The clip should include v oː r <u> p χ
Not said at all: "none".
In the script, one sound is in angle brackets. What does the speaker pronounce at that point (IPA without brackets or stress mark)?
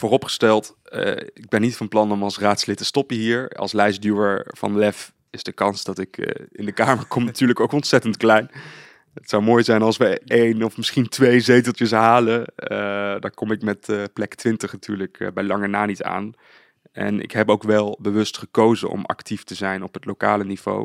ɔ